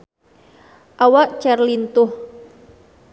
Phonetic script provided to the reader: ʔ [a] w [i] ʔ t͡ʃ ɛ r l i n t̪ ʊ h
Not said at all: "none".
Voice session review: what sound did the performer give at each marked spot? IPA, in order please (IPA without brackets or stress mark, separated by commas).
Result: a, a